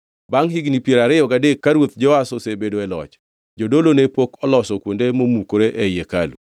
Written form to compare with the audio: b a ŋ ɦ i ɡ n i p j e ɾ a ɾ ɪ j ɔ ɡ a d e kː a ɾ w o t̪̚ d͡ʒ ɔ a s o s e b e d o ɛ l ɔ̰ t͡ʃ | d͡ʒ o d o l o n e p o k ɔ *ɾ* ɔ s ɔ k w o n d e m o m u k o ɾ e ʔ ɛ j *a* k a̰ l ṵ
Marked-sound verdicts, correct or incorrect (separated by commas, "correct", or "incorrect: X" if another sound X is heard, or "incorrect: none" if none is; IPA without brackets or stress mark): incorrect: l, incorrect: e